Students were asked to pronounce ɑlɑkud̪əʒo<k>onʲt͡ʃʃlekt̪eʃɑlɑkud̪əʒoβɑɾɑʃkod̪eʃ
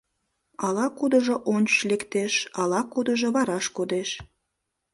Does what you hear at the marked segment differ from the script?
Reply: yes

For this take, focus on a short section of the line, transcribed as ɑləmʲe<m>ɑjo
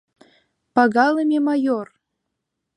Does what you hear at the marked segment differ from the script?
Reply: no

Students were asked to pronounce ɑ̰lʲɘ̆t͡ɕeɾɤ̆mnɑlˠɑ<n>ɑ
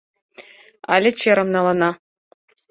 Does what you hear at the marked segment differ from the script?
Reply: no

